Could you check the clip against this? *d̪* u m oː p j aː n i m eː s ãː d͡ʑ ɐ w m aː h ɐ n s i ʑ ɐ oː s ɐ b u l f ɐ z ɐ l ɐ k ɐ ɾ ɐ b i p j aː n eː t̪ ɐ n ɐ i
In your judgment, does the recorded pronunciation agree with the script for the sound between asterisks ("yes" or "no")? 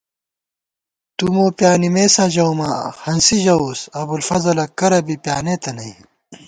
no